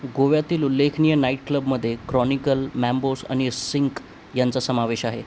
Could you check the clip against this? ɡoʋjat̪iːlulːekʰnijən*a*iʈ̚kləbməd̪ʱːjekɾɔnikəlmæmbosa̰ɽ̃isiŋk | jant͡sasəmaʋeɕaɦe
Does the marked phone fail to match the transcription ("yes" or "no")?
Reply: no